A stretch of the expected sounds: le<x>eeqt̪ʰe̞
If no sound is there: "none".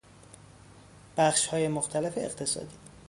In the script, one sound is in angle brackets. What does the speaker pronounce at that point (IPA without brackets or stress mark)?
f